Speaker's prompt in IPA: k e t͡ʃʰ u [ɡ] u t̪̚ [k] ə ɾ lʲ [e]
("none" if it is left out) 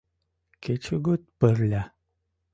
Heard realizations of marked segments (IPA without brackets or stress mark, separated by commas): ɡ, p, a